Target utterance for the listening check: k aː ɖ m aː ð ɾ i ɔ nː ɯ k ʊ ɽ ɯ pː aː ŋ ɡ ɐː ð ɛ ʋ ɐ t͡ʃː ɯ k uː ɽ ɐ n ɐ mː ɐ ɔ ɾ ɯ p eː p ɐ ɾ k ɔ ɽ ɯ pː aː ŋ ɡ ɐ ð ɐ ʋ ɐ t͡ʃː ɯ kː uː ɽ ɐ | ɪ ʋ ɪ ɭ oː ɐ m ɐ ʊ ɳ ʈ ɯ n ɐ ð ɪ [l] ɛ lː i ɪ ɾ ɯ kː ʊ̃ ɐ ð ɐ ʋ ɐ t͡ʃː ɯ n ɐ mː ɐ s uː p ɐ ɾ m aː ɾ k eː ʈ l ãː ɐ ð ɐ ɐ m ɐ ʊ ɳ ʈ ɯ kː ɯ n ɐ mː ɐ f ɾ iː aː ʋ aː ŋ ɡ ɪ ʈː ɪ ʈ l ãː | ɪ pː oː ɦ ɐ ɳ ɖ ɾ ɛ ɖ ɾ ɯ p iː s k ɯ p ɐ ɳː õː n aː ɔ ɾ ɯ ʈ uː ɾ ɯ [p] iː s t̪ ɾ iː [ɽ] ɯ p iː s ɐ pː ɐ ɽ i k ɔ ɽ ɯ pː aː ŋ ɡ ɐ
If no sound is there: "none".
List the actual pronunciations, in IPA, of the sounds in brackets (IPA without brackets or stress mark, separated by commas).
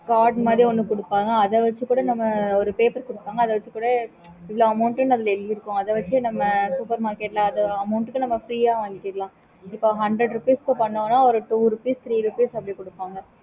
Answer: l, p, ɾ